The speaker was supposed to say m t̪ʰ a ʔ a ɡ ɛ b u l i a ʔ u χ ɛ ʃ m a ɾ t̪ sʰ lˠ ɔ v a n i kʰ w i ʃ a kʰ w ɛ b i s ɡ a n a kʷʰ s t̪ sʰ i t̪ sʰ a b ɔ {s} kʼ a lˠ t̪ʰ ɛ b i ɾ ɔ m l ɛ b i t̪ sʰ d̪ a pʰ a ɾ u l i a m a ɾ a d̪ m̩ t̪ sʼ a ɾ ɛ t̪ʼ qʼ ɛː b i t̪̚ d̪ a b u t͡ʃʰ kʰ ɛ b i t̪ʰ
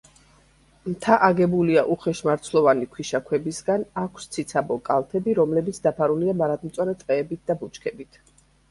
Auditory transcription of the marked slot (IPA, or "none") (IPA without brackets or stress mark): none